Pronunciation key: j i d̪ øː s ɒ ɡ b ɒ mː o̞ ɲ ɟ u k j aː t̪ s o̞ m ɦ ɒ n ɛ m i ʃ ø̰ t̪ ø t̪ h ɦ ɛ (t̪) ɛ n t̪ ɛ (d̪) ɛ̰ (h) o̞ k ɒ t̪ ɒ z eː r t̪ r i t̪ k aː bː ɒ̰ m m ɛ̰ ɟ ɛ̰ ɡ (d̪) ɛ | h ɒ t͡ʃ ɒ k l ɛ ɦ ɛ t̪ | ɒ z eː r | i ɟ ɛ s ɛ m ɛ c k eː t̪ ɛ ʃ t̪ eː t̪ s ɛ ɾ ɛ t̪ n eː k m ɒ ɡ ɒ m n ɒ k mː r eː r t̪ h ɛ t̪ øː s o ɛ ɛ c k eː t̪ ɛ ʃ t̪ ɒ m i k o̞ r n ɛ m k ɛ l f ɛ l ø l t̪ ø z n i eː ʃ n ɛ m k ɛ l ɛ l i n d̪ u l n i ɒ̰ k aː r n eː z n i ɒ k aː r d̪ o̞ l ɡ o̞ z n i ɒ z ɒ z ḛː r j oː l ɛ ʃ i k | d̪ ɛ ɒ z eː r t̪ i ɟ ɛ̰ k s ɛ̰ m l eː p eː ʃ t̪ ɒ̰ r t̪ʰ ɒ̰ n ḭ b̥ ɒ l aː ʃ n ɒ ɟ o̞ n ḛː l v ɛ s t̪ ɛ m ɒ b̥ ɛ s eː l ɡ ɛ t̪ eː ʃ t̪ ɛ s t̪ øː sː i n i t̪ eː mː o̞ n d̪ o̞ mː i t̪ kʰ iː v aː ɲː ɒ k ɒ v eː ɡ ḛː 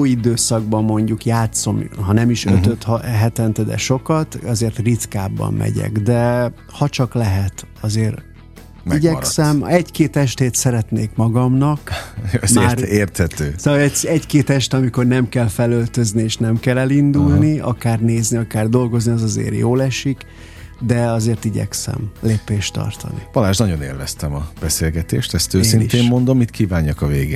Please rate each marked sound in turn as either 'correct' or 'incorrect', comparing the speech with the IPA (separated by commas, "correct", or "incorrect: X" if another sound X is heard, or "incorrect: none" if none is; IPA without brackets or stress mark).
correct, correct, incorrect: ʃ, correct